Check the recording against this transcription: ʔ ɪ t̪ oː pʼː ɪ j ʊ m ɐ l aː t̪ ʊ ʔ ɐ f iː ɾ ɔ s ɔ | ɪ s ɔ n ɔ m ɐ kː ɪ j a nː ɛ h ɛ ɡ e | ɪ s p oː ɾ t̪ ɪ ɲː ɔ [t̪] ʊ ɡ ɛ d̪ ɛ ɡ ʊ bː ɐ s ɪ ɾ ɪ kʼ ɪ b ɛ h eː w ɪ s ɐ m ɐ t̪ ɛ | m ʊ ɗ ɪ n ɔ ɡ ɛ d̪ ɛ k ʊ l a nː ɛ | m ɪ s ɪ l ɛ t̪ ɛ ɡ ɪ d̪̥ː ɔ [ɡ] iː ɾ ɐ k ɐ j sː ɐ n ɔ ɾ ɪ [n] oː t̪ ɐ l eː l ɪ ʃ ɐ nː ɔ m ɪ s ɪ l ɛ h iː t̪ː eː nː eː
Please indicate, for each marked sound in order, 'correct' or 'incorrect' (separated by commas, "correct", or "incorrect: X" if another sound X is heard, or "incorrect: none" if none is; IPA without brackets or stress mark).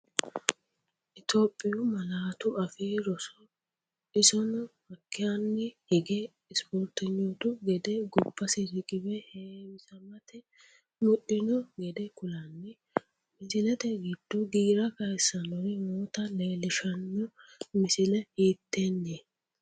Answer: correct, correct, incorrect: m